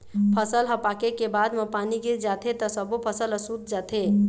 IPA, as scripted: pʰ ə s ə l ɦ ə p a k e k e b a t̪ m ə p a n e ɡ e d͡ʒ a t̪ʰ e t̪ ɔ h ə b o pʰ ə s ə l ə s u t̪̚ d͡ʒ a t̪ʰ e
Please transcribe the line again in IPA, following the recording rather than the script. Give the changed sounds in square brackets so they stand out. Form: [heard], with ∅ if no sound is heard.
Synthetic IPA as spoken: pʰ ə s ə l ɦ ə p a k e k e b a [d̪] m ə p a n [i] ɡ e d͡ʒ a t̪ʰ e t̪ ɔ [s] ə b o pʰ ə s ə l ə s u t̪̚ d͡ʒ a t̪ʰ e